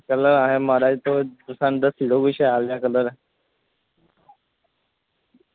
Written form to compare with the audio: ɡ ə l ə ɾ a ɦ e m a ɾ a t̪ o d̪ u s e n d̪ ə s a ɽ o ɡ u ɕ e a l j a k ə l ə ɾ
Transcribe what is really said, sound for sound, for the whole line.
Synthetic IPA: k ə l ə ɾ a ɦ e m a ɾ a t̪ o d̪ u s a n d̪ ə s i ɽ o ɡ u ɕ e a l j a k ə l ə ɾ

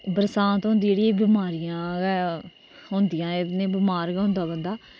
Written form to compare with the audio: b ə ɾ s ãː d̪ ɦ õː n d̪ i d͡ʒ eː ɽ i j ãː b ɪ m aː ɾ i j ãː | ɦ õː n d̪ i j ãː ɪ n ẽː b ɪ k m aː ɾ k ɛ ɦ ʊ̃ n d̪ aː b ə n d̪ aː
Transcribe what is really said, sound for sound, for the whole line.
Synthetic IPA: b ə ɾ s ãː t̪ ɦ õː n d̪ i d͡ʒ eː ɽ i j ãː b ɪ m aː ɾ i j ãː | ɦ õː n d̪ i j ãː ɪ n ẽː b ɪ m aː ɾ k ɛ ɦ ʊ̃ n d̪ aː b ə n d̪ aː

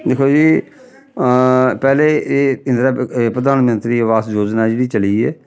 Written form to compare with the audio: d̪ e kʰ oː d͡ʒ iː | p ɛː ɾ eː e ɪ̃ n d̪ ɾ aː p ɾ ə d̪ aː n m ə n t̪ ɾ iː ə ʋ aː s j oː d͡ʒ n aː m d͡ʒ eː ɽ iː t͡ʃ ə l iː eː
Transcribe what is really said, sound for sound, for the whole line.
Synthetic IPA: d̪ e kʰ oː d͡ʒ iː | p ɛː l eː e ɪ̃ n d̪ ɾ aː p ɾ ə d̪ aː n m ə n t̪ ɾ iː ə ʋ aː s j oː d͡ʒ n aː d͡ʒ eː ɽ iː t͡ʃ ə l iː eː

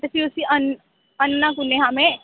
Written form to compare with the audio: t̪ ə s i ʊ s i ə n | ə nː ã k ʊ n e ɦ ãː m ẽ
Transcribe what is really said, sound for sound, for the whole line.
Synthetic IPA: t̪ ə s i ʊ s i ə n | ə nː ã k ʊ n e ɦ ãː m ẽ

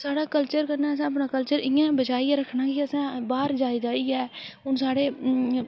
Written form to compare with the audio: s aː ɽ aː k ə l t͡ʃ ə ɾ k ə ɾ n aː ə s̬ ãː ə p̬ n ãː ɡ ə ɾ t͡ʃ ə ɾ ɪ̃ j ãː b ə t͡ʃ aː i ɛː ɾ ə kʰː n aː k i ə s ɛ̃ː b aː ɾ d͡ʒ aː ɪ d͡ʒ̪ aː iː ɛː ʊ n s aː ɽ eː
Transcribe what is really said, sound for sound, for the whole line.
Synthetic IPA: s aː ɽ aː k ə l t͡ʃ ə ɾ k ə ɾ n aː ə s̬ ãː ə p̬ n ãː k ə l t͡ʃ ə ɾ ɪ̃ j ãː b ə t͡ʃ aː i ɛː ɾ ə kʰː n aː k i ə s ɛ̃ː b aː ɾ d͡ʒ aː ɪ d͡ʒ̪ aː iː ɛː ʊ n s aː ɽ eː

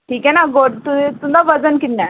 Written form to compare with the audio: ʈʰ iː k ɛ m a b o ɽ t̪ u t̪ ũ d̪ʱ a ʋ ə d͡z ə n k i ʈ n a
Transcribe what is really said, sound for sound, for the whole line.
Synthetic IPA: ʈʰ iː k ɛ n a ɡ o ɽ t̪ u t̪ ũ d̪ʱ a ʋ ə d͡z ə n k i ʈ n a

